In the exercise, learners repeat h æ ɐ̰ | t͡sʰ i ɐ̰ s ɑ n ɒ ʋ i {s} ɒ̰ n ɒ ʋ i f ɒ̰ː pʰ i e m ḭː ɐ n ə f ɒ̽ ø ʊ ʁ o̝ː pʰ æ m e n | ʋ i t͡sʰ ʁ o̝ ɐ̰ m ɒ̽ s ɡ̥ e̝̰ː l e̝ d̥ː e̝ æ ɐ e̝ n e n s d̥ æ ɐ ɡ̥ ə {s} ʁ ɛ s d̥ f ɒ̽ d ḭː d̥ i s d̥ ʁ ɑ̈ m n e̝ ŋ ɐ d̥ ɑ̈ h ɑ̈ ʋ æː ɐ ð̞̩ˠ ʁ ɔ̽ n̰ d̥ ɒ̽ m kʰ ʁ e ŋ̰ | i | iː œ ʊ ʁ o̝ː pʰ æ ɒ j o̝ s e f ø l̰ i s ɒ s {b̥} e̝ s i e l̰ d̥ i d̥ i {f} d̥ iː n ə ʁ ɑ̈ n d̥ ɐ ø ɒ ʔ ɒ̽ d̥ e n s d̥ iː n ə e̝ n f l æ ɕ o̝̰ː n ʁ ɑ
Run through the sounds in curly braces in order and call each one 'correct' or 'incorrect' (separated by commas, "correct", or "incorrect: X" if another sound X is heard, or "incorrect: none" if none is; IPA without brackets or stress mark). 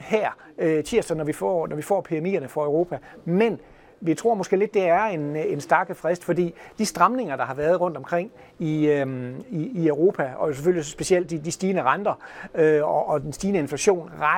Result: incorrect: f, incorrect: f, correct, incorrect: s